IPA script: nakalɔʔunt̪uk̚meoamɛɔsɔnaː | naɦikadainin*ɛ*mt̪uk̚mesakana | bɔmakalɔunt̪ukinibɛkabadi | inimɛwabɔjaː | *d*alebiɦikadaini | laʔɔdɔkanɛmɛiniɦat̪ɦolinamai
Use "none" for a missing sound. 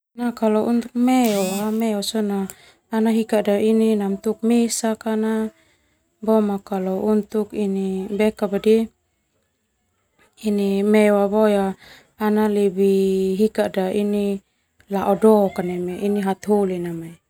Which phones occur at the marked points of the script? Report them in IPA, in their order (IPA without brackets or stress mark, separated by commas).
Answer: a, n